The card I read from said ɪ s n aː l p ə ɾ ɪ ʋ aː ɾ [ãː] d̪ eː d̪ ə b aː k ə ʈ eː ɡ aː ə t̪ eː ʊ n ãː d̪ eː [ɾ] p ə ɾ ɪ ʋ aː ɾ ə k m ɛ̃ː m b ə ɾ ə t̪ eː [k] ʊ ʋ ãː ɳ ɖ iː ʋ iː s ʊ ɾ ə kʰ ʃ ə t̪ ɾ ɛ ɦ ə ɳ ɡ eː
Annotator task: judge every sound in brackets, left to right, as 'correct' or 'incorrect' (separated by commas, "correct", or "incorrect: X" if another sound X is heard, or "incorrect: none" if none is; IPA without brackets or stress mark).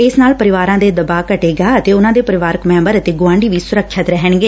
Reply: correct, incorrect: none, incorrect: ɡ